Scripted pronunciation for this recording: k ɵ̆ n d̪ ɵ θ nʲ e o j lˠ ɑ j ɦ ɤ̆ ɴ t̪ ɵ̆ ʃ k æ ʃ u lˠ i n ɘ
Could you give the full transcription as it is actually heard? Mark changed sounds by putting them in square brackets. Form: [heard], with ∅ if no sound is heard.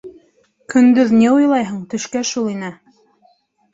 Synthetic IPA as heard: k ɵ̆ n d̪ ɵ [ð] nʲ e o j lˠ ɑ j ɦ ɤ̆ ɴ t̪ ɵ̆ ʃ k æ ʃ u lˠ i n ɘ